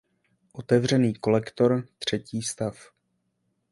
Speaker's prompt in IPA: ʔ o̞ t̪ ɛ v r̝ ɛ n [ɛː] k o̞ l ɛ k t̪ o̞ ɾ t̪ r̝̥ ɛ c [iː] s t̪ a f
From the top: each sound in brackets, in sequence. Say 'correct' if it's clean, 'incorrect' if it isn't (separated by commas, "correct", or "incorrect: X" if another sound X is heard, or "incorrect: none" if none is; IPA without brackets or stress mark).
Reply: incorrect: iː, correct